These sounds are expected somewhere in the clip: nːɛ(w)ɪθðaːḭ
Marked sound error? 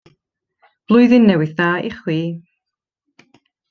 no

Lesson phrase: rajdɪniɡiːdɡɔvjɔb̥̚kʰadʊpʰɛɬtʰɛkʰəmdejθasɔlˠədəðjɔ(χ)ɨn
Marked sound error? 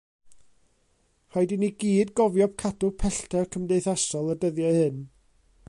yes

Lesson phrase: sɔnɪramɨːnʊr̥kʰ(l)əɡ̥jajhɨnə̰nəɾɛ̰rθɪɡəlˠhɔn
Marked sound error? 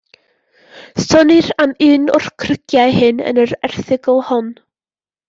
yes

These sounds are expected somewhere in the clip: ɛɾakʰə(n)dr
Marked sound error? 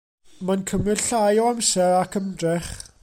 yes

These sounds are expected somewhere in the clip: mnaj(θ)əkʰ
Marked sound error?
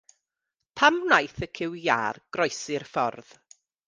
no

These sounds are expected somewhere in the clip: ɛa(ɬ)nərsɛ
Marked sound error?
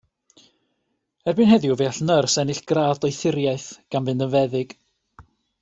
no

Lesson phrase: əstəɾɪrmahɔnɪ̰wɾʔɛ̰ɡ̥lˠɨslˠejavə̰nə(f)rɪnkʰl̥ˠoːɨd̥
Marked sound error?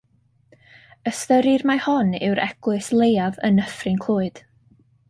no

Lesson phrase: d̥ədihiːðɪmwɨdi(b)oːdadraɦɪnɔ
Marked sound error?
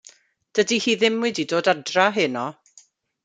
yes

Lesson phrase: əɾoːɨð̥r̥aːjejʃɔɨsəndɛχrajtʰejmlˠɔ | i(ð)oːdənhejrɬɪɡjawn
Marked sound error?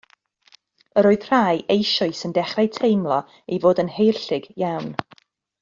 yes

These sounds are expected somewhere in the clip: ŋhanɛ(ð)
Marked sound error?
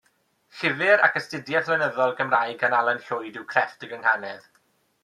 no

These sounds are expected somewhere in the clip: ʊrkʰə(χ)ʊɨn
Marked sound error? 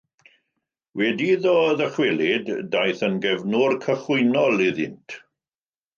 no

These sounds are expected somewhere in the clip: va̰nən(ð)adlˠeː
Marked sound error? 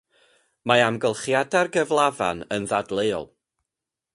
no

